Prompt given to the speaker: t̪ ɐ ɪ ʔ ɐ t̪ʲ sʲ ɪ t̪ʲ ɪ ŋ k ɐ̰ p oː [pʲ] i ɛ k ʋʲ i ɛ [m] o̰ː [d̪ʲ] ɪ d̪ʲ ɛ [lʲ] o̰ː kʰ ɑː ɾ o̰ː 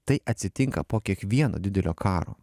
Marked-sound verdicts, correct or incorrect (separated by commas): incorrect, incorrect, correct, correct